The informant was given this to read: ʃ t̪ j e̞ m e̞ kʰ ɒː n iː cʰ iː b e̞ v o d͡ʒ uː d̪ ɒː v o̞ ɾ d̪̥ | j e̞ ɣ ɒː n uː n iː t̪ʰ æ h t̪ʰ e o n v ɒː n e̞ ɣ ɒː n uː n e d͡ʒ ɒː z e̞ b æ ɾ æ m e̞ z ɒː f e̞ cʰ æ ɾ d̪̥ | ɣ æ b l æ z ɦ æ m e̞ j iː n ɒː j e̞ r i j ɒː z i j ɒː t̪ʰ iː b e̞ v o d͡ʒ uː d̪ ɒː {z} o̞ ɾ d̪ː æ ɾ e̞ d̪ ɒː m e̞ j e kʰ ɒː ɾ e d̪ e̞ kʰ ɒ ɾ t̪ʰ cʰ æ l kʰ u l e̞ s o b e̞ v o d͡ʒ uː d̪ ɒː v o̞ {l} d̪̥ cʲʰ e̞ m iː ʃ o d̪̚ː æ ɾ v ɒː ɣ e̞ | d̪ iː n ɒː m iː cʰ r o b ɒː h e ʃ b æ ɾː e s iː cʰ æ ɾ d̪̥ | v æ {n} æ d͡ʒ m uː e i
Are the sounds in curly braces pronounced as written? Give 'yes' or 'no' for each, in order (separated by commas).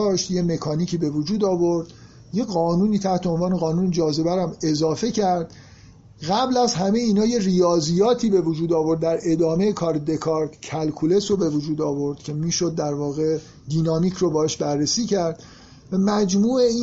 no, no, no